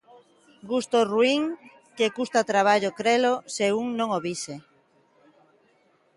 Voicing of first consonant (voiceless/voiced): voiced